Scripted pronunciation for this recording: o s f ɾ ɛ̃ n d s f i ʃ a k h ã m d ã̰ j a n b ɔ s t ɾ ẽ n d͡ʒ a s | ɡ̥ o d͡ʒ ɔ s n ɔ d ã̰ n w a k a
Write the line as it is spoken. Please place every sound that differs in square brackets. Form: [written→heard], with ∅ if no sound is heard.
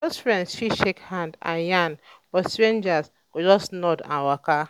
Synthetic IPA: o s f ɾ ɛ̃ n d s [f→ʃ] i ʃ [a→e] k h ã [m→n] d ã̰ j a n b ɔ s t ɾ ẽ n d͡ʒ a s | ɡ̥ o d͡ʒ ɔ s n ɔ d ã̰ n w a k a